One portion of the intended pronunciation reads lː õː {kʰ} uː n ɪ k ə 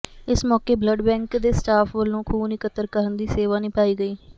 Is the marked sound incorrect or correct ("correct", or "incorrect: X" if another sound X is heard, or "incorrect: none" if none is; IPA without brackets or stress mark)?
correct